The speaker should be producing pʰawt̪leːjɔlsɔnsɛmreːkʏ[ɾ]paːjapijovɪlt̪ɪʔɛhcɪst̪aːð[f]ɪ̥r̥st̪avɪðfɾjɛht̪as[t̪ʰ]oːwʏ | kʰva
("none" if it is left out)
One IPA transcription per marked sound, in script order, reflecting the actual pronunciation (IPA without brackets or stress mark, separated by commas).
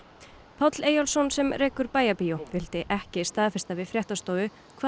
ɾ, f, t̪